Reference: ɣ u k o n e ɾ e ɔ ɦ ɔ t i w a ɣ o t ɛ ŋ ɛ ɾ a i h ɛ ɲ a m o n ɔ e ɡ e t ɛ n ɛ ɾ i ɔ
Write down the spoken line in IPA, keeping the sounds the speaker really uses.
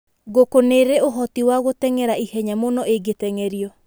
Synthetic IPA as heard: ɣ o k o n e ɾ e o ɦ ɔ t i w a ɣ o t ɛ ŋ ɛ ɾ a i h ɛ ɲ a m o n ɔ e ɡ e t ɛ ŋ ɛ ɾ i ɔ